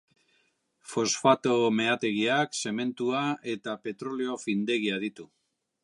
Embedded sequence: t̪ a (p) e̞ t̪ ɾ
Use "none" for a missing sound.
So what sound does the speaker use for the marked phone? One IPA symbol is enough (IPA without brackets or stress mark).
p